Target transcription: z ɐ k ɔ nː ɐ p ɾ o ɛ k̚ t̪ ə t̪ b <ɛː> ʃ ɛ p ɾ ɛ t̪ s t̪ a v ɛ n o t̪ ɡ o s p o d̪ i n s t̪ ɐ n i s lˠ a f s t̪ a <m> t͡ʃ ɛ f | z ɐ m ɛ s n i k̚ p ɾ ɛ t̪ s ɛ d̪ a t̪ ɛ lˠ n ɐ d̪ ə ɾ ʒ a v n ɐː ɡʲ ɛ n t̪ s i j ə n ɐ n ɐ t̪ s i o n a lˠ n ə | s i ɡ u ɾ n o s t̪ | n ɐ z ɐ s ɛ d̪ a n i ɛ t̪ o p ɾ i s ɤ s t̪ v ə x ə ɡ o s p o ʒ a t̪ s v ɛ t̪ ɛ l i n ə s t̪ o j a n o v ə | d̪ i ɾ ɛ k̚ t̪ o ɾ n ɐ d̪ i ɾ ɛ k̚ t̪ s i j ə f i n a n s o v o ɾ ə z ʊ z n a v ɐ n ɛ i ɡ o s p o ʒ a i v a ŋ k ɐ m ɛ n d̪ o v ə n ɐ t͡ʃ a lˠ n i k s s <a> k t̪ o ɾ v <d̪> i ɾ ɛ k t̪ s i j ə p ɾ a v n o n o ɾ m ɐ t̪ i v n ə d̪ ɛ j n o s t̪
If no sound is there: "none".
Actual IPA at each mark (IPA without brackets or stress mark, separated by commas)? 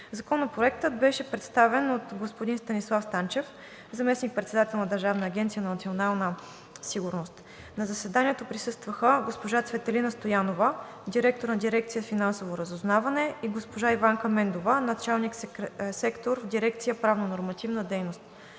ɛ, n, ɛ, d̪